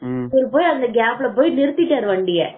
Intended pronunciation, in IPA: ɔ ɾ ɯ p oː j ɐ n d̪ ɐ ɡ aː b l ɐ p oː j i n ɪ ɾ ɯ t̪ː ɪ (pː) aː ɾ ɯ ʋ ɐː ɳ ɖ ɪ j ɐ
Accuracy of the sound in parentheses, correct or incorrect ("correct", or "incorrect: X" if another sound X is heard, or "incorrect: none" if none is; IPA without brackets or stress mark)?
incorrect: ʈː